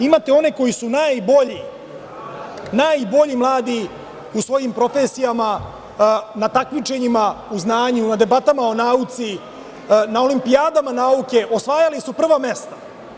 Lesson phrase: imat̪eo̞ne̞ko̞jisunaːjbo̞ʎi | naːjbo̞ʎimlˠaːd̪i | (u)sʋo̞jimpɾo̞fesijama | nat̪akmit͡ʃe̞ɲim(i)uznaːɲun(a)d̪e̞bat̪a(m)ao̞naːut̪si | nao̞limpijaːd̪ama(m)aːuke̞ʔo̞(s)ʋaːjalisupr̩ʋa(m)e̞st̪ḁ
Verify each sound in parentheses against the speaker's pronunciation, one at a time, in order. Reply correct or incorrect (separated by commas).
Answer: correct, incorrect, correct, correct, incorrect, correct, correct